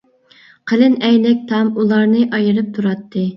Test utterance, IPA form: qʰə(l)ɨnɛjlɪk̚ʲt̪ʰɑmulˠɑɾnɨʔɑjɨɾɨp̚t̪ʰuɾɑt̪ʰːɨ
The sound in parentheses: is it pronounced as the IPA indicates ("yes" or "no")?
yes